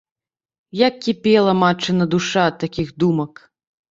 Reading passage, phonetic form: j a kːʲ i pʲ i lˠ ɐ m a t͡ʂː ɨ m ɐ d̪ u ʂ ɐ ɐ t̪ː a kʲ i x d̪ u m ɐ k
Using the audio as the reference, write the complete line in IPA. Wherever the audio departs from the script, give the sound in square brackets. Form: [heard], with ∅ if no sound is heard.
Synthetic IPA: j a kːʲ i pʲ [ɛ] lˠ ɐ m a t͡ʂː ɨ [n] ɐ d̪ u ʂ [a] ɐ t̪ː a kʲ i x d̪ u m ɐ k